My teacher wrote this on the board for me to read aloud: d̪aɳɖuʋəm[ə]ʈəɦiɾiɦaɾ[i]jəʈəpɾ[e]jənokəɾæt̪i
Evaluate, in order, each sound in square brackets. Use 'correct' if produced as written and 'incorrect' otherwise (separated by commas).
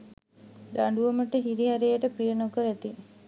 correct, incorrect, incorrect